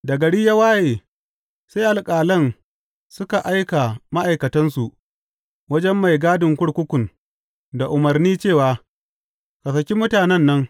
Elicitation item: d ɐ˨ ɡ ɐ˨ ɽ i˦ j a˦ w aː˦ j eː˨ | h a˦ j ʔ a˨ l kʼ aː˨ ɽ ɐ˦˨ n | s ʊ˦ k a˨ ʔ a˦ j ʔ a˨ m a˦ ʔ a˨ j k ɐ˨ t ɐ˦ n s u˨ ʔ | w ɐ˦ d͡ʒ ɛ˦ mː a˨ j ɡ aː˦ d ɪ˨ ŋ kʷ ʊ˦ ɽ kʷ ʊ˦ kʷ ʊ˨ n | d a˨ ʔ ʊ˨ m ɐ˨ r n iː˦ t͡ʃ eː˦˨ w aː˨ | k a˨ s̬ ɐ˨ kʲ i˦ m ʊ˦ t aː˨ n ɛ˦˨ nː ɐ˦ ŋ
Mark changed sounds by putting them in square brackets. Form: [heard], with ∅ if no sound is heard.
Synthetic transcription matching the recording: d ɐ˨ ɡ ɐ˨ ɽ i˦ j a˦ w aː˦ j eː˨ | [s] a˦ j ʔ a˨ l kʼ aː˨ [l] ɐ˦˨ n | s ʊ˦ k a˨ ʔ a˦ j [k] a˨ m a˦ ʔ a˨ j k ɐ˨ t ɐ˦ n s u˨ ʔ | w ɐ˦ d͡ʒ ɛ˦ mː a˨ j ɡ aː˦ d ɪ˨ ŋ kʷ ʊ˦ ɽ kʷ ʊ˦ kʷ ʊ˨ n | d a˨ ʔ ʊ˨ m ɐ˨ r n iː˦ t͡ʃ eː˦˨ w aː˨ | k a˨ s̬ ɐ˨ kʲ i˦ m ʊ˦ t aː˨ n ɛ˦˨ nː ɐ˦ ŋ